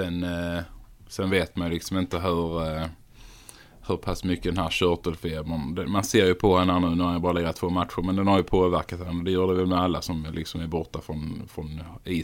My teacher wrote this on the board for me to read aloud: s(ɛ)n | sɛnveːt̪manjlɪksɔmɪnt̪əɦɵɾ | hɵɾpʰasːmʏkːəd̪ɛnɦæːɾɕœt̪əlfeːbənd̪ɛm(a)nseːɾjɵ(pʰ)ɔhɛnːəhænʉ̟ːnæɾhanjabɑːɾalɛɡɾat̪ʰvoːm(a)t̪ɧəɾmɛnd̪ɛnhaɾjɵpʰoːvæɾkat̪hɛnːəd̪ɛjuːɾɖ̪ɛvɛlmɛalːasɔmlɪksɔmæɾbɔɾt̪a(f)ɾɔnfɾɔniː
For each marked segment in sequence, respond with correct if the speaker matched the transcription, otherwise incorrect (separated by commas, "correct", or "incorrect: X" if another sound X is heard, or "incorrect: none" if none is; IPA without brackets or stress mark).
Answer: correct, correct, correct, correct, correct